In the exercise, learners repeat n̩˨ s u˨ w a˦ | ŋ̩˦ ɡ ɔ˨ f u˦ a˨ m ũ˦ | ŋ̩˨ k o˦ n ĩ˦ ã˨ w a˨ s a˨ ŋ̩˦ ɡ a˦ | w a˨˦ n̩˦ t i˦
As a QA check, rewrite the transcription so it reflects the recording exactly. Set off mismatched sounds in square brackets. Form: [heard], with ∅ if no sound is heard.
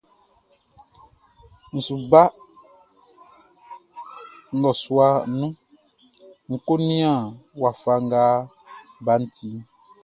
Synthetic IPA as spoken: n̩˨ s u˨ [b] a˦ | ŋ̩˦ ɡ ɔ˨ [s] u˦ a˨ [n] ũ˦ | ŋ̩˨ k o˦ n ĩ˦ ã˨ w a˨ [f] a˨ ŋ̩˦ ɡ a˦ | [b] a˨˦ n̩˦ t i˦

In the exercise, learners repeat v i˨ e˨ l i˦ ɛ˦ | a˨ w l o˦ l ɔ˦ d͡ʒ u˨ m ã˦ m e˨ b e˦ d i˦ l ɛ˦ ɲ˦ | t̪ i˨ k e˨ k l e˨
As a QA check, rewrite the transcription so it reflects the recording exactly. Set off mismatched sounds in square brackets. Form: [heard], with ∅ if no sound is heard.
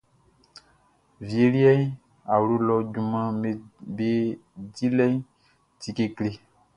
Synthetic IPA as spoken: v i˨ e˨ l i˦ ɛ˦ | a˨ w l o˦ l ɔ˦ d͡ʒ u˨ m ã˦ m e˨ b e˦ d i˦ l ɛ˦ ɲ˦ | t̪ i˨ k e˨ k l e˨

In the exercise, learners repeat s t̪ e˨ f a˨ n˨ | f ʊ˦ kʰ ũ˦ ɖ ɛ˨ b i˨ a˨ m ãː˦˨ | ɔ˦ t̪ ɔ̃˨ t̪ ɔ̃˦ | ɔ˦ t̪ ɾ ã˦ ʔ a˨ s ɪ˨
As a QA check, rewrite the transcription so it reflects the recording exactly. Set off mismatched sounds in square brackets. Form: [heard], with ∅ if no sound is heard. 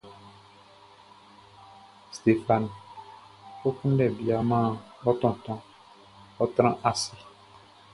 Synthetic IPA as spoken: s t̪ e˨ f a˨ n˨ | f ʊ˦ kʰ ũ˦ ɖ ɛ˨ b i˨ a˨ m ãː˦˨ | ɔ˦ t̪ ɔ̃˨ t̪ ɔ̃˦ | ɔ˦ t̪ ɾ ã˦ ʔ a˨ s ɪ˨

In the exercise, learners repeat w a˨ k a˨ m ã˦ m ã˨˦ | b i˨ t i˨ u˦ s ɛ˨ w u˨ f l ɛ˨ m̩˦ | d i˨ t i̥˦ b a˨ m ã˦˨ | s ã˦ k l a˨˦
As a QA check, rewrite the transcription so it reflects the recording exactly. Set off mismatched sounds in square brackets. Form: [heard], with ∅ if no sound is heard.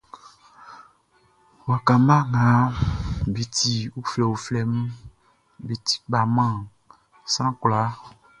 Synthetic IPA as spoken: w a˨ k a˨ m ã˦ [ŋ] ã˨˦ | b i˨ t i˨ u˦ [f] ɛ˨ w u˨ f l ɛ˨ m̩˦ | [b] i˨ t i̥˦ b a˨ m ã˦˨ | s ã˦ k l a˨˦

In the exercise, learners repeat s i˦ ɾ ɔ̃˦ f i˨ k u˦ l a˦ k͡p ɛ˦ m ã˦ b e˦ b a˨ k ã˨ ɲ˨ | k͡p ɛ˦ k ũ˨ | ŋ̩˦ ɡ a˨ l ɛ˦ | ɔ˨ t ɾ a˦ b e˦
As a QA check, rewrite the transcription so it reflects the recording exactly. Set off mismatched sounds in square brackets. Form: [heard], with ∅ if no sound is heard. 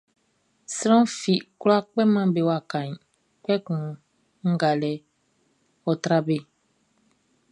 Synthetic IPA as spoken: s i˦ ɾ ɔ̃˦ f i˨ k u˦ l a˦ k͡p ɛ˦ m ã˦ b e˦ [w] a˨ k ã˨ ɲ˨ | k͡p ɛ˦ k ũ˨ | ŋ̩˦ ɡ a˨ l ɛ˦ | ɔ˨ t ɾ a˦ b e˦

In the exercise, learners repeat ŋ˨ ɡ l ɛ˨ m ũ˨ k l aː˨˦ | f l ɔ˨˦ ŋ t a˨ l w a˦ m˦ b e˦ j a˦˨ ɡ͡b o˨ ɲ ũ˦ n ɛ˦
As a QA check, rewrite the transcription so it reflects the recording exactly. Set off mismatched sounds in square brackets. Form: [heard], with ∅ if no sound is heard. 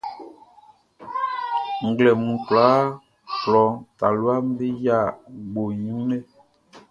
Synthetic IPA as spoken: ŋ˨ ɡ l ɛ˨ m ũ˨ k l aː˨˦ | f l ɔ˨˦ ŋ t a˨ l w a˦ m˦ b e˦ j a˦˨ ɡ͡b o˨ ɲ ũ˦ n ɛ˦

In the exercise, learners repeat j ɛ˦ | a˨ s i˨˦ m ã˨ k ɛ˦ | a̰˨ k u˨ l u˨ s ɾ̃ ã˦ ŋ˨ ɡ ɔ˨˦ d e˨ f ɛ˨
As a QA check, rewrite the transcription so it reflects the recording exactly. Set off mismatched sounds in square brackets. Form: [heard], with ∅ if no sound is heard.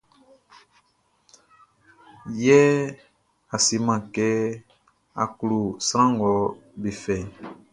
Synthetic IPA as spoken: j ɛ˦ | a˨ s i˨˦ m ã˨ k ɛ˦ | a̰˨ k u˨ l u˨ s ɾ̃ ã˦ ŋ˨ ɡ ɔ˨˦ [b] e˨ f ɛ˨

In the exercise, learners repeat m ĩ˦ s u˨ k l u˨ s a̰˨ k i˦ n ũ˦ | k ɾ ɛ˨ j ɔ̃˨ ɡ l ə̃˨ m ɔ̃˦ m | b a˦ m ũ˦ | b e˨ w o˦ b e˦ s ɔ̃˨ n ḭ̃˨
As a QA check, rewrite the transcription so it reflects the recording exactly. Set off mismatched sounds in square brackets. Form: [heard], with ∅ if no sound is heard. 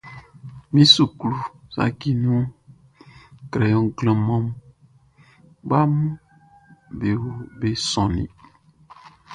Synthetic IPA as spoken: m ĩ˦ s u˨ k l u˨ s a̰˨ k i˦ n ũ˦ | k ɾ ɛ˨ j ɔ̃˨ ɡ l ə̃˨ m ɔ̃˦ m | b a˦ m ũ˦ | b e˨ w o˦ b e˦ s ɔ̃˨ n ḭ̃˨

